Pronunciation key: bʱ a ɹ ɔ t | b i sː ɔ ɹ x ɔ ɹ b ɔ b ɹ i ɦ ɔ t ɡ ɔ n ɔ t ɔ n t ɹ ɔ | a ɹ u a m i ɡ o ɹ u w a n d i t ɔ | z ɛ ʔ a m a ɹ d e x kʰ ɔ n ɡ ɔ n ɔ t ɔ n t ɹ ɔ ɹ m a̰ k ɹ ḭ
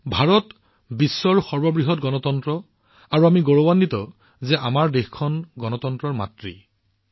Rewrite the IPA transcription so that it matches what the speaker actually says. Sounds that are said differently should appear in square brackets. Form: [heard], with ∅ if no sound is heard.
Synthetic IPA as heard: bʱ a ɹ ɔ t | b i sː ɔ ɹ x ɔ ɹ b ɔ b ɹ i ɦ ɔ t ɡ ɔ n ɔ t ɔ n t ɹ ɔ | a ɹ u a m i ɡ o ɹ [o] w a n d i t ɔ | z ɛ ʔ a m a ɹ d e x kʰ ɔ n ɡ ɔ n ɔ t ɔ n t ɹ ɔ ɹ m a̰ [t] ɹ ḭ